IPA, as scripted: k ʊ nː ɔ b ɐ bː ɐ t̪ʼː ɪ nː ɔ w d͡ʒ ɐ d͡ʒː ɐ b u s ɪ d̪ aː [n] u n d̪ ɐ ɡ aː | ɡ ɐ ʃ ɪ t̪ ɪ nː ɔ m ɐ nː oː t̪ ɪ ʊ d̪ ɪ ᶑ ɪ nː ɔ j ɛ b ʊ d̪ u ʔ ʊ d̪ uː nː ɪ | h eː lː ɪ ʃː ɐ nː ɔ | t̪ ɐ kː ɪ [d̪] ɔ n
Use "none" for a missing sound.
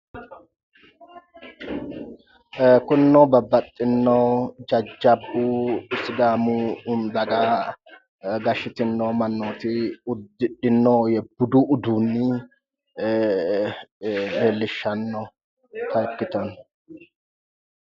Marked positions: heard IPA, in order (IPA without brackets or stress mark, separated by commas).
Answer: m, t̪